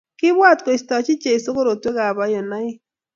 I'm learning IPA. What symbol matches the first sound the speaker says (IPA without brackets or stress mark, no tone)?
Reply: k